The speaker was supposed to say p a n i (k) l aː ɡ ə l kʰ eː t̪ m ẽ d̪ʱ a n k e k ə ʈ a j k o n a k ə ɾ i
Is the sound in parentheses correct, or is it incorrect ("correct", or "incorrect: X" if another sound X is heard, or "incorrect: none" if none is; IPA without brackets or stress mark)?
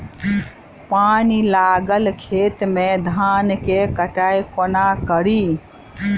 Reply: incorrect: none